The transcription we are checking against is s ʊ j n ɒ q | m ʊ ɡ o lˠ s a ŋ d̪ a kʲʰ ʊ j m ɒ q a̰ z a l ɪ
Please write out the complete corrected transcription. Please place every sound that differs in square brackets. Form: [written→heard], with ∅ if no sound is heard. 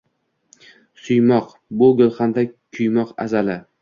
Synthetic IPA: s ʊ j [n→m] ɒ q | [m→b] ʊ ɡ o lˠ [s→χ] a [ŋ→n] d̪ a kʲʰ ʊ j m ɒ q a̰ z a l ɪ